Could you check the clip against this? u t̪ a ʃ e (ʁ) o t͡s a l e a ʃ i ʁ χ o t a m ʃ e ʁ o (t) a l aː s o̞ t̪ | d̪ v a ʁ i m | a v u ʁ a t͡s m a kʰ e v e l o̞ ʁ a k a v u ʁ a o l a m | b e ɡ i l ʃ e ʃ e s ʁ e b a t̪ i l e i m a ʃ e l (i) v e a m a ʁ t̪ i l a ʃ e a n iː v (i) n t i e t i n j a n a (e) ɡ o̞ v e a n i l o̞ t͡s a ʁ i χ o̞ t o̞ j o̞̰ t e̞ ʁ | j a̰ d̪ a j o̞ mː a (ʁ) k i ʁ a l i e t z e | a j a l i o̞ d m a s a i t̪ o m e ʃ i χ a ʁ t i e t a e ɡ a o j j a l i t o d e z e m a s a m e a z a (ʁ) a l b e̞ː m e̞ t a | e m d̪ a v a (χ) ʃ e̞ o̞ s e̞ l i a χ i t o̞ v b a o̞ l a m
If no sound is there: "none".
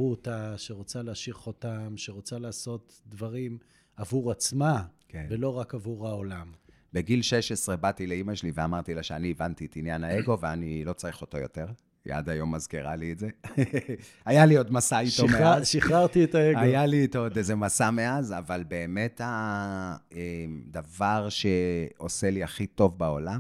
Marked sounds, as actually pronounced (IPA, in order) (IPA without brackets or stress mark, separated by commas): ʁ, t͡s, i, a, e, z, v, ʁ